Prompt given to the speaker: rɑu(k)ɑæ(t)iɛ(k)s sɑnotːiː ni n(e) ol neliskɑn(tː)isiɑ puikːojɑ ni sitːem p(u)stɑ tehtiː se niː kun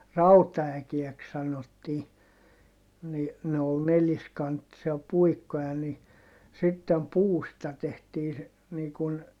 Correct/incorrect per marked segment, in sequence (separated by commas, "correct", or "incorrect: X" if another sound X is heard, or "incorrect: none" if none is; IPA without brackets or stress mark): incorrect: t, incorrect: k, correct, correct, correct, incorrect: uː